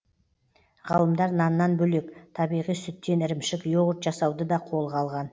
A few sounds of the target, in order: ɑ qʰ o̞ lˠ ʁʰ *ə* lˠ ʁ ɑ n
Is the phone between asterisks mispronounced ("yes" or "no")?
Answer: yes